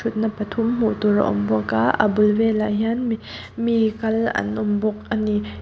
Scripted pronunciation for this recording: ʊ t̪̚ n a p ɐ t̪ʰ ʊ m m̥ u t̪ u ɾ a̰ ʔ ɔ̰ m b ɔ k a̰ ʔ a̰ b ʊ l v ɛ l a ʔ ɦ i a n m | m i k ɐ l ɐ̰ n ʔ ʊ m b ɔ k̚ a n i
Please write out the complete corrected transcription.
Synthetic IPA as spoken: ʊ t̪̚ n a p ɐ t̪ʰ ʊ m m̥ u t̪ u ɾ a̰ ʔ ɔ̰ m b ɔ k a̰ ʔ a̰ b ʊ l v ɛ l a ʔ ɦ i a n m | m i k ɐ l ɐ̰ n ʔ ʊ m b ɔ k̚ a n i